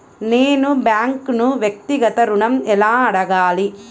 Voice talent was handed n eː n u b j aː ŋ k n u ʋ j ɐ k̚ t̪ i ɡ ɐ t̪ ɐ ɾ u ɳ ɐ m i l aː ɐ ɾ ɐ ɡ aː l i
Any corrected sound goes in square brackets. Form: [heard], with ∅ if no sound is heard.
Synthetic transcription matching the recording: n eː n u b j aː ŋ k n u ʋ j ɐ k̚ t̪ i ɡ ɐ t̪ ɐ ɾ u ɳ ɐ m [ɛ] l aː ɐ [ɽ] ɐ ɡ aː l i

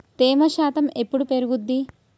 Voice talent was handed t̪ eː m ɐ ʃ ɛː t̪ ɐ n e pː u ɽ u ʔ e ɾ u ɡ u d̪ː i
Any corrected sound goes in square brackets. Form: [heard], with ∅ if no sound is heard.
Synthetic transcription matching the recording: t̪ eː m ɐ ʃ [aː] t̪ ɐ [m] e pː u ɽ u [p] e ɾ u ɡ u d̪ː i

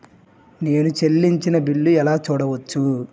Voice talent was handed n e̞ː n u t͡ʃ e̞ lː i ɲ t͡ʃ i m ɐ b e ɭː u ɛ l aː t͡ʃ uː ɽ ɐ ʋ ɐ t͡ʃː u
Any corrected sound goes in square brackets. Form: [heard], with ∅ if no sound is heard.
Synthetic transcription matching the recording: n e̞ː n u t͡ʃ e̞ lː i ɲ t͡ʃ i [n] ɐ b [i] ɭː u ɛ l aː t͡ʃ uː ɽ ɐ ʋ ɐ t͡ʃː u

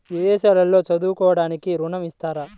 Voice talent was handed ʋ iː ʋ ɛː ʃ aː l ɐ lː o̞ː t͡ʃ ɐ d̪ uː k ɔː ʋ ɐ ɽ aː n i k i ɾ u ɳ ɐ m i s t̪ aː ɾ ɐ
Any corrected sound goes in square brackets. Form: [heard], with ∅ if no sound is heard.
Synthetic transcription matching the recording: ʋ [i] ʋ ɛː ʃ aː l ɐ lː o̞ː t͡ʃ ɐ d̪ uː k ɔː ʋ ɐ ɽ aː n i k i ɾ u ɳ ɐ m i s t̪ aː ɾ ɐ

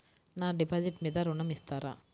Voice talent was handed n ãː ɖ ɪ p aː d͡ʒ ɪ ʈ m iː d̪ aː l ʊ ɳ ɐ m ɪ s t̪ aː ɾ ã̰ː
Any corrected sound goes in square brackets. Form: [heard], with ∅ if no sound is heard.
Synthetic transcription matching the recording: n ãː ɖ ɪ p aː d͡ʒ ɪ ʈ m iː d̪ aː [ɾ] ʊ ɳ ɐ m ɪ s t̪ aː ɾ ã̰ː

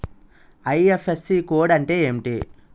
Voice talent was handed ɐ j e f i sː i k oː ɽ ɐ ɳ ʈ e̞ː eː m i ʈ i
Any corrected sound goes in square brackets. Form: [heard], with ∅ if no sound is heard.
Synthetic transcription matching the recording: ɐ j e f [e] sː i k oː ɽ ɐ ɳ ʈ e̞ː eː m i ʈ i

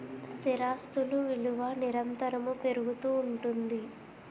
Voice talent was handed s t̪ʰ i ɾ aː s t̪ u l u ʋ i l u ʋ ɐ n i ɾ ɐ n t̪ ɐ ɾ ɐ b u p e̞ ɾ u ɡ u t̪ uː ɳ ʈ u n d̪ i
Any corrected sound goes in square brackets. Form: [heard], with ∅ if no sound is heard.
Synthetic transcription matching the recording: s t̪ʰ i ɾ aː s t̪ u l u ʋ i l u ʋ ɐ n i ɾ ɐ n t̪ ɐ ɾ ɐ [m] u p e̞ ɾ u ɡ u t̪ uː ɳ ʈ u n d̪ i

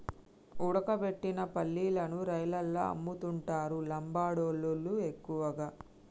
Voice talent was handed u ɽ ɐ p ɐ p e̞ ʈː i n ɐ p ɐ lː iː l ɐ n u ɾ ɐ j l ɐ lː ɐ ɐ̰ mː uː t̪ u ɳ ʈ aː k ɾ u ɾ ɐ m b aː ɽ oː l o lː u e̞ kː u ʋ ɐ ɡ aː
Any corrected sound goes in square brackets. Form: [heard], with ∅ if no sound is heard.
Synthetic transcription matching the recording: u ɽ ɐ [k] ɐ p e̞ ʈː i n ɐ p ɐ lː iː l ɐ n u ɾ ɐ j l ɐ lː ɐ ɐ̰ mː [u] t̪ u ɳ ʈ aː [∅] ɾ u [l] ɐ m b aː ɽ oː l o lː u e̞ kː u ʋ ɐ ɡ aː

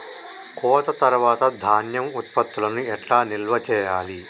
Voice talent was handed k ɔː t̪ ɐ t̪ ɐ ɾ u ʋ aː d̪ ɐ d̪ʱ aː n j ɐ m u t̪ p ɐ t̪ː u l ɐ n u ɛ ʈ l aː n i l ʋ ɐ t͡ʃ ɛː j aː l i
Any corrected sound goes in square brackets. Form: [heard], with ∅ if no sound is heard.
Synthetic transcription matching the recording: k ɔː t̪ ɐ t̪ ɐ ɾ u ʋ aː [t̪] ɐ d̪ʱ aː n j ɐ m u t̪ p ɐ t̪ː u l ɐ n u ɛ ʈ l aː n i l ʋ ɐ t͡ʃ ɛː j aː l i

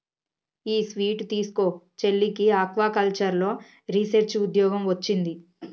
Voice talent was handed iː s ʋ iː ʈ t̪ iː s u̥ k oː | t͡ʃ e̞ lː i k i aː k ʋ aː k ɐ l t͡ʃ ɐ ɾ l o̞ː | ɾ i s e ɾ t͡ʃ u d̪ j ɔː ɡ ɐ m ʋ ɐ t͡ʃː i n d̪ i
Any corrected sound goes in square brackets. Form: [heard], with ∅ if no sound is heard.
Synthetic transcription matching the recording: iː s ʋ iː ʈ t̪ iː s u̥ k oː | t͡ʃ e̞ lː i k i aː k ʋ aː k ɐ l t͡ʃ ɐ ɾ l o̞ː | ɾ i s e ɾ t͡ʃ u d̪ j ɔː ɡ ɐ m ʋ ɐ t͡ʃː i n d̪ i

